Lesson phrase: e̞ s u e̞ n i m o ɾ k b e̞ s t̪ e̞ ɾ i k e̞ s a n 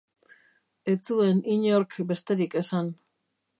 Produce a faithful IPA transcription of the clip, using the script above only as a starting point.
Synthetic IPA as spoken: e̞ t͡s u e̞ n i ɲ o ɾ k b e̞ s t̪ e̞ ɾ i k e̞ s a n